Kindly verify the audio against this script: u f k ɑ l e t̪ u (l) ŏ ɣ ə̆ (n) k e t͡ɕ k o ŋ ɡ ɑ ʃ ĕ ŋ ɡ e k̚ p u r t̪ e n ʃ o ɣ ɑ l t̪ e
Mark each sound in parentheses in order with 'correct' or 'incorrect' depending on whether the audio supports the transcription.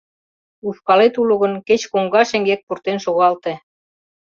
correct, correct

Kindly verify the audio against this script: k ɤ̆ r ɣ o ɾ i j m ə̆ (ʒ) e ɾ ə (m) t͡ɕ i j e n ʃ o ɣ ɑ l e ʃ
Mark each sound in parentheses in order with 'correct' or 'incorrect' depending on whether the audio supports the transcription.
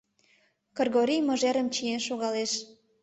correct, correct

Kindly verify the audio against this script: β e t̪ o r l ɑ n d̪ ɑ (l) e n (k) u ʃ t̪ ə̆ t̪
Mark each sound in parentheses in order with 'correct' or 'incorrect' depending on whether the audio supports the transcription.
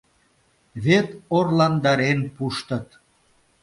incorrect: ɾ, incorrect: p

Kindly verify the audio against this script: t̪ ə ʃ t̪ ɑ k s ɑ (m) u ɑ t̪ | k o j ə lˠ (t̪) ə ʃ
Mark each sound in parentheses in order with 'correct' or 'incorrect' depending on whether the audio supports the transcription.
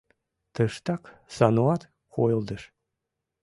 incorrect: n, incorrect: d̪

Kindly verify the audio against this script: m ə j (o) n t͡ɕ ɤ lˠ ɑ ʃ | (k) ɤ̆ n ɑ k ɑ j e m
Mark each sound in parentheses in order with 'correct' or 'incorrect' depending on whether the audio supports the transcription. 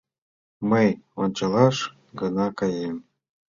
correct, incorrect: ɡ

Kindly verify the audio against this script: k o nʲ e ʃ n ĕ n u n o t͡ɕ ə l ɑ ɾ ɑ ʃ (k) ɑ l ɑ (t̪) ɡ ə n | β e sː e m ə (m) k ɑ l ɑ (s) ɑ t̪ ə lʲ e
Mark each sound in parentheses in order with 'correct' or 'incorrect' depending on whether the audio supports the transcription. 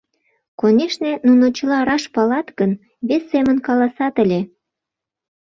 incorrect: p, correct, incorrect: n, correct

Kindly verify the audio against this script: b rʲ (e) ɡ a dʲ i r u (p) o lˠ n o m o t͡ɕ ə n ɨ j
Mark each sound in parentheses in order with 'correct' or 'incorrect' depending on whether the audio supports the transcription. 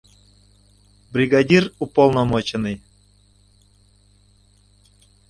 incorrect: i, correct

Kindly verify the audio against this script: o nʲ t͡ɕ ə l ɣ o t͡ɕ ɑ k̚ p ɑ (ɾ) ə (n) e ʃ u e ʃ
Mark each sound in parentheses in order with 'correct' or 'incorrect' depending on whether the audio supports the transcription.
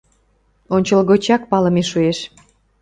incorrect: l, incorrect: m

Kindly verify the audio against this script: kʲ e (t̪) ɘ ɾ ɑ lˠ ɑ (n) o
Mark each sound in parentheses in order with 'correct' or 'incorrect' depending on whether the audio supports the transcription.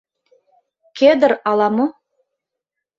incorrect: d̪, incorrect: m

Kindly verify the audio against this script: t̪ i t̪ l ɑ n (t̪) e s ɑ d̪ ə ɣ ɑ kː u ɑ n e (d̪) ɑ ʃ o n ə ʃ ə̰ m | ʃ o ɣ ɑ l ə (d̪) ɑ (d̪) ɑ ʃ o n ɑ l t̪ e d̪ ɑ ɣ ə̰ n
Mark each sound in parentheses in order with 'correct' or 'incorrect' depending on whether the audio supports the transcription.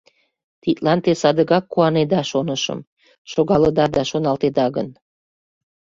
correct, correct, correct, correct

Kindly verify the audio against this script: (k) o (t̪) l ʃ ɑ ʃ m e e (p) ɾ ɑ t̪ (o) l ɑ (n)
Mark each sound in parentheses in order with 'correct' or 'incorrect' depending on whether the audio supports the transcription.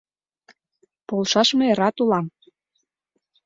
incorrect: p, incorrect: none, incorrect: none, incorrect: u, incorrect: m

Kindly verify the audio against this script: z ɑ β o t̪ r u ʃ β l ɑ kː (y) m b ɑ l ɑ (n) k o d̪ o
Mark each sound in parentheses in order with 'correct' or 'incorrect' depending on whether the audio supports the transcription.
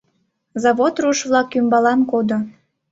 correct, correct

